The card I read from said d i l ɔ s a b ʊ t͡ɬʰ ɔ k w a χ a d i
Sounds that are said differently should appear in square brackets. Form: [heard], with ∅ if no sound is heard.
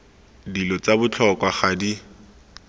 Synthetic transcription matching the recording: d i l ɔ [t͡s] a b ʊ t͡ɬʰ ɔ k w a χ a d i

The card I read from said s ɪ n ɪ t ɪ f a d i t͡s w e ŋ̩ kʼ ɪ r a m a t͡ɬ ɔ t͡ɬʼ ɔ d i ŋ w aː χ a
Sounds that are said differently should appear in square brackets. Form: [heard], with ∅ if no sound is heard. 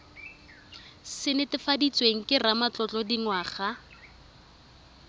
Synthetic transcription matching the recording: s ɪ n ɪ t ɪ f a d i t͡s w e ŋ̩ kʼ ɪ r a m a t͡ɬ ɔ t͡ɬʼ ɔ d i ŋ w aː χ a

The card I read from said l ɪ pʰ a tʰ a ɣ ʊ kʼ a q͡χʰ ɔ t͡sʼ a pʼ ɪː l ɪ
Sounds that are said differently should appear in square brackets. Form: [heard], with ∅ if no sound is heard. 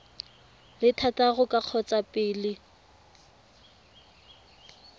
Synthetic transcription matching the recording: l ɪ [tʰ] a [t] a ɣ ʊ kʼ a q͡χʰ ɔ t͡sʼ a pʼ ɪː l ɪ

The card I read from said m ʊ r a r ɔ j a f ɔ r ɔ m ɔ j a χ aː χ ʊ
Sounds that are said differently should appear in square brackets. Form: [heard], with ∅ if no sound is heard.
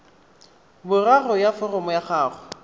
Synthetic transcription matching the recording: [b] ʊ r a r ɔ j a f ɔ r ɔ m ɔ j a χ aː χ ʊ

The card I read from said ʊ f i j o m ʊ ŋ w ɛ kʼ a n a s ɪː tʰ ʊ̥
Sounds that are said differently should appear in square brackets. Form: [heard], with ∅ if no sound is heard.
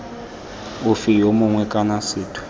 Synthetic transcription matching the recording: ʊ f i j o m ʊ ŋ w ɛ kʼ a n a s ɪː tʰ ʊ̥

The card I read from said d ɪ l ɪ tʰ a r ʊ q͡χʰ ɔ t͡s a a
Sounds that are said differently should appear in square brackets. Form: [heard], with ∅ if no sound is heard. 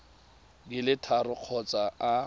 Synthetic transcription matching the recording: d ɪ l ɪ tʰ a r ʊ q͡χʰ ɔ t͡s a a

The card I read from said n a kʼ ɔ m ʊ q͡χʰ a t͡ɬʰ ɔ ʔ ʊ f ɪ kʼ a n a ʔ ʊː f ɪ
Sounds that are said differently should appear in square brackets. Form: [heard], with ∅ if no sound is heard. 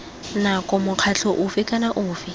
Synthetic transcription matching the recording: n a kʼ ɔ m ʊ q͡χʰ a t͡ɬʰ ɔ ʔ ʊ f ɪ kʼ a n a ʔ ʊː f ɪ

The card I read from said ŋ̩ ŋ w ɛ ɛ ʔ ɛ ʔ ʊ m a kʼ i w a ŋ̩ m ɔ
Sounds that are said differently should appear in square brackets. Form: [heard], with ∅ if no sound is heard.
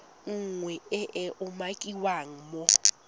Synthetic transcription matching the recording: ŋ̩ ŋ w ɛ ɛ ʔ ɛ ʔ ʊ m a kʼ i w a ŋ̩ m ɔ

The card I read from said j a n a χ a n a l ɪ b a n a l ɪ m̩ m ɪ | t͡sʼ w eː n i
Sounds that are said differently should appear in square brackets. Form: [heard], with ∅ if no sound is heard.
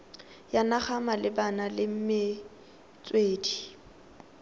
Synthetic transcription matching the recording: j a n a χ a [m] a l ɪ b a n a l ɪ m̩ m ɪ | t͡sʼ w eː [d] i

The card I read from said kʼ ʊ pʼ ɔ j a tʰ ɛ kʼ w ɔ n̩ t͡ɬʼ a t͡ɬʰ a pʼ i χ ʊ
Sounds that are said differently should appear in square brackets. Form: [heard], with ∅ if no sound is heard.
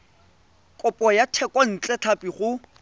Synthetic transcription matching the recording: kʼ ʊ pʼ ɔ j a tʰ ɛ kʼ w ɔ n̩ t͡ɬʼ [ɛ] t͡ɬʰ a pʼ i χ ʊ

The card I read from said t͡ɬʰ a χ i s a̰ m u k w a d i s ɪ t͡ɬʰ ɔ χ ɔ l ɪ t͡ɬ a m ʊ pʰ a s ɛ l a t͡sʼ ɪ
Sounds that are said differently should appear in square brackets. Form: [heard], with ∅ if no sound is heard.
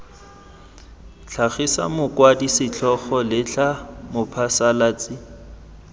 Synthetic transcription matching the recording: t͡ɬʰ a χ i s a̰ m [ʊ] k w a d i s ɪ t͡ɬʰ ɔ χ ɔ l ɪ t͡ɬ a m ʊ pʰ a s [a] l a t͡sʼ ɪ

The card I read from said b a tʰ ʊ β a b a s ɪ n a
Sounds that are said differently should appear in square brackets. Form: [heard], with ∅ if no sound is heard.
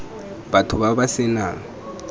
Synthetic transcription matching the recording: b a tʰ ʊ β a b a s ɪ n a

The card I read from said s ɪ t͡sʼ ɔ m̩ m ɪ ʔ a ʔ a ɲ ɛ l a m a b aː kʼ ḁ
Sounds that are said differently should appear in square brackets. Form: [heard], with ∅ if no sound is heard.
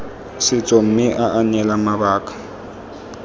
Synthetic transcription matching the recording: s ɪ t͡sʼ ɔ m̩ m ɪ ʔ a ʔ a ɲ ɛ l a m a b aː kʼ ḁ

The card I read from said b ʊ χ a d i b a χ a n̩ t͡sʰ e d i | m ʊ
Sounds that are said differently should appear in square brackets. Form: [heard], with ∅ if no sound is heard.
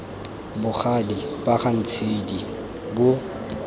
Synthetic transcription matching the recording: b ʊ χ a d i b a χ a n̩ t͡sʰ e d i | [b] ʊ

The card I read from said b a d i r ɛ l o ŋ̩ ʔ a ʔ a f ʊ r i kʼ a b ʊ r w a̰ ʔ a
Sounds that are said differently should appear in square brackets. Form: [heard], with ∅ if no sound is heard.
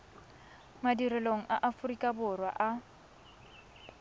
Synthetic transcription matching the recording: [m] a d i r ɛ l o ŋ̩ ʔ a ʔ a f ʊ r i kʼ a b ʊ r w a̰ ʔ a

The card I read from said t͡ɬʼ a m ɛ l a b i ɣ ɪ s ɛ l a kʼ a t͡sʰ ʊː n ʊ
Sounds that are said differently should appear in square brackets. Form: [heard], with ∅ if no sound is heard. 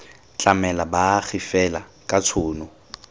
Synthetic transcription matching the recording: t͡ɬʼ a m ɛ l a b [a] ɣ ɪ [f] ɛ l a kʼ a t͡sʰ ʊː n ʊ

